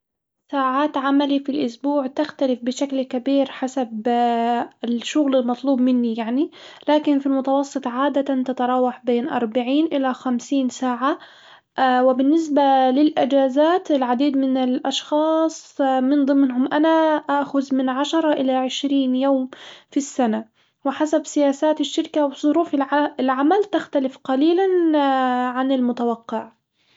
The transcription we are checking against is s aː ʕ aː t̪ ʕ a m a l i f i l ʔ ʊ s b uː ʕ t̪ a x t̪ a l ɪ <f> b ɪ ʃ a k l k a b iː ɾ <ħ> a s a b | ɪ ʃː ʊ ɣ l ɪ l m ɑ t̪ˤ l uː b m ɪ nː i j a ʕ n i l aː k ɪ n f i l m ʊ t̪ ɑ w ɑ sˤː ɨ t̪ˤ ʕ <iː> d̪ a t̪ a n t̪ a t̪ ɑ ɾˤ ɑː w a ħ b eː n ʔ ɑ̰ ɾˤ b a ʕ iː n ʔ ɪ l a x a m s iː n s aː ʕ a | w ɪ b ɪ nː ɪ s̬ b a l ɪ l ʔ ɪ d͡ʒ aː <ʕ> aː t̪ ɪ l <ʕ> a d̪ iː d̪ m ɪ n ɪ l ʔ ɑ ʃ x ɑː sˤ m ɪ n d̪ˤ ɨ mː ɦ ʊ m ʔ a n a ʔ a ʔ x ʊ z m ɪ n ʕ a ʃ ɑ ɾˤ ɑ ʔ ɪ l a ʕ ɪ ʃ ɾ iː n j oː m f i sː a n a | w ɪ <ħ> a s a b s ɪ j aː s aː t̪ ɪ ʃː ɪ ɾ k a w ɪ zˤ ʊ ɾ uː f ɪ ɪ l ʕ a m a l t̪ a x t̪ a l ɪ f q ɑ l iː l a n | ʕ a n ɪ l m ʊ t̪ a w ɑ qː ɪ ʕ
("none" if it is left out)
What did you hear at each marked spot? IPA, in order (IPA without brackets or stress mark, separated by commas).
f, ħ, aː, z, ʕ, ħ